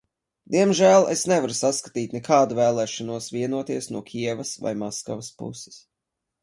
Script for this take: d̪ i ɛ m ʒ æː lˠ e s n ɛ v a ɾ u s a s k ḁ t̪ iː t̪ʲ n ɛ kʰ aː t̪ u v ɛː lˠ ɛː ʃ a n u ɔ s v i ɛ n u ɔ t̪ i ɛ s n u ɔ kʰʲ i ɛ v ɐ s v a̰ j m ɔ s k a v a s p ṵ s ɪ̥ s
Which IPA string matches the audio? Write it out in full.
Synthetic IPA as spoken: d̪ i ɛ m ʒ æː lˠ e s n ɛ v a ɾ u s a s k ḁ t̪ iː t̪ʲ n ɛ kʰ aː d̪ u v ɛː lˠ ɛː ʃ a n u ɔ s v i ɛ n u ɔ t̪ i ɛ s n u ɔ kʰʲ i ɛ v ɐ s v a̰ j m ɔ s k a v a s p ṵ s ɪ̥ s

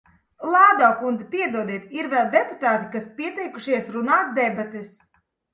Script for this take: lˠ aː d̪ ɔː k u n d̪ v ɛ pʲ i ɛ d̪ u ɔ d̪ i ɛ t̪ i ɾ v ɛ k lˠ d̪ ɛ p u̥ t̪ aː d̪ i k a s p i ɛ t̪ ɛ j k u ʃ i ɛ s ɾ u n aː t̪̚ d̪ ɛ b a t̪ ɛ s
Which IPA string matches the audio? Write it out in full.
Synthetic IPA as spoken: lˠ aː d̪ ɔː k u n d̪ z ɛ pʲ i ɛ d̪ u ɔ d̪ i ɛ t̪ i ɾ v ɛ lˠ d̪ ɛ p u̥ t̪ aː t̪ i k a s p i ɛ t̪ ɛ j k u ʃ i ɛ s ɾ u n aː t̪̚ d̪ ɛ b a t̪ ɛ s

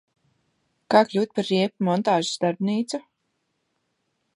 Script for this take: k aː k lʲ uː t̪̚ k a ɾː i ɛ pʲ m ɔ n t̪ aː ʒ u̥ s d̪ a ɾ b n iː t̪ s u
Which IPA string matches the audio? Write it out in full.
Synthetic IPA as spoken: k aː k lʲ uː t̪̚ p a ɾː i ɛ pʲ m ɔ n t̪ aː ʒ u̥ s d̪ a ɾ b n iː t̪ s u

